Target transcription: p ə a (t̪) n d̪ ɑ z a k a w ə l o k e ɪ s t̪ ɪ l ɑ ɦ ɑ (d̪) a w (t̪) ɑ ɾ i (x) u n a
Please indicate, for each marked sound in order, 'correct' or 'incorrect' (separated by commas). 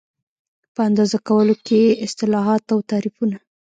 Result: incorrect, incorrect, correct, incorrect